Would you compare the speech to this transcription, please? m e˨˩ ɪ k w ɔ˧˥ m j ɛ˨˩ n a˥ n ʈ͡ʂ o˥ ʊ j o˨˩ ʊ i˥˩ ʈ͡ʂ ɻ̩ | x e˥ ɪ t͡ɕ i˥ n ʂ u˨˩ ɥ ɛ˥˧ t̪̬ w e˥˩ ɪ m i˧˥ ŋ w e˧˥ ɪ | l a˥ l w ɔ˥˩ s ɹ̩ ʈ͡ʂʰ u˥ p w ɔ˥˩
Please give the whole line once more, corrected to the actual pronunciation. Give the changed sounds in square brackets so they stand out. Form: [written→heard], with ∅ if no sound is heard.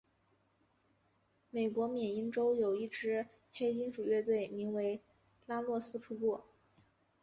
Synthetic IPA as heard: m e˨˩ ɪ k w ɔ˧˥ m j ɛ˨˩ n [a˥→i˥] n ʈ͡ʂ o˥ ʊ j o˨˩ ʊ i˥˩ ʈ͡ʂ ɻ̩ | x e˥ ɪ t͡ɕ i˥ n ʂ u˨˩ ɥ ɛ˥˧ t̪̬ w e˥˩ ɪ m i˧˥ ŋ w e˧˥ ɪ | l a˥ l w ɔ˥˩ s ɹ̩ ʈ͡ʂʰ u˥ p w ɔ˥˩